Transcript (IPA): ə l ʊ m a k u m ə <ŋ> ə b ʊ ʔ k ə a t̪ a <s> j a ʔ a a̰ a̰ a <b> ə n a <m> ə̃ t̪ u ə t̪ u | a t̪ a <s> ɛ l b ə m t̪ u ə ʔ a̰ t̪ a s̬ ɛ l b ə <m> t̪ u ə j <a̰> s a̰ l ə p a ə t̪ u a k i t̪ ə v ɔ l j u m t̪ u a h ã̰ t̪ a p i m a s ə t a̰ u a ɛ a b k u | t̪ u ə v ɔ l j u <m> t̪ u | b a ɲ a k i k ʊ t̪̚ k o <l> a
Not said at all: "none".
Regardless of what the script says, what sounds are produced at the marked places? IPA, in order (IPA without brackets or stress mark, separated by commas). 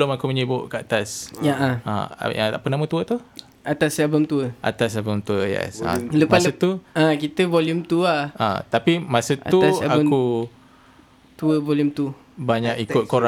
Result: ɲ, s, p, m, s, m, ɛ̰, m, ɾ